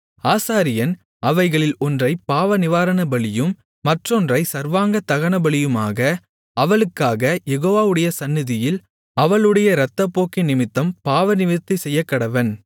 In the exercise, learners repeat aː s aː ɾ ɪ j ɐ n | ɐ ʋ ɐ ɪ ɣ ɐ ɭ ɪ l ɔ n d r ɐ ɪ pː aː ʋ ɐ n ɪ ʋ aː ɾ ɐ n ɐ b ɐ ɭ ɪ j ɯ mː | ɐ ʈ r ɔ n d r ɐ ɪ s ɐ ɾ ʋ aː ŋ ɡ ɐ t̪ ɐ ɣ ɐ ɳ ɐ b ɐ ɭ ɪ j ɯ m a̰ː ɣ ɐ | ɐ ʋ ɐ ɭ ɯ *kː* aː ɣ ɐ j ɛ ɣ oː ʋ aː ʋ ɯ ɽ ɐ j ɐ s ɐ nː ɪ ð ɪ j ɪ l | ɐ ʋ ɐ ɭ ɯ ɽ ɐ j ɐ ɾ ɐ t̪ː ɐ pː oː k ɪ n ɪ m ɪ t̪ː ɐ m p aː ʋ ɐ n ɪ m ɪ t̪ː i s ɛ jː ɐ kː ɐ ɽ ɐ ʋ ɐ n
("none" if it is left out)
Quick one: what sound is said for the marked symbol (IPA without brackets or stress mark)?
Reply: kː